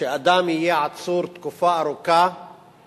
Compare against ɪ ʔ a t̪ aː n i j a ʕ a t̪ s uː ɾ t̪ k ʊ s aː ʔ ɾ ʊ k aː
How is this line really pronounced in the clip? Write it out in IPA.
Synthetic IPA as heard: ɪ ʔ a d̪ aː m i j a ʕ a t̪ s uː ɾ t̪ k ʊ f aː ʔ ɾ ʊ k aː